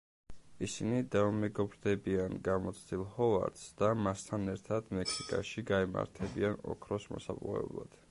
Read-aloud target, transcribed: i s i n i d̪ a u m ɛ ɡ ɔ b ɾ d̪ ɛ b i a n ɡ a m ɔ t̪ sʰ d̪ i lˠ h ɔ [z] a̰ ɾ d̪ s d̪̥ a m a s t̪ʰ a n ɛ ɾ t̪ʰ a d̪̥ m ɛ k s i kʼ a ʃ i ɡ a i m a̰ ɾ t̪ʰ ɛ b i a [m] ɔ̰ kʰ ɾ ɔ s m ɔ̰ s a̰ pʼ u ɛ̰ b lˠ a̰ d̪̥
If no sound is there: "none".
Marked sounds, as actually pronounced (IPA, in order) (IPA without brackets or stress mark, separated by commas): v, n